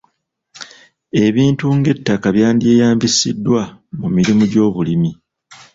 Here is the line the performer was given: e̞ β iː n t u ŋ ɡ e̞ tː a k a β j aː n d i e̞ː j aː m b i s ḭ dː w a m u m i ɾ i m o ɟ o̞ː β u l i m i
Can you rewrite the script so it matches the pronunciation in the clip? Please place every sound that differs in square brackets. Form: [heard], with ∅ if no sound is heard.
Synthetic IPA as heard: e̞ β iː n t u ŋ ɡ e̞ tː a k a β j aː n d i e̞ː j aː m b i s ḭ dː w a m u m i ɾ i m [u] ɟ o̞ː β u l i m i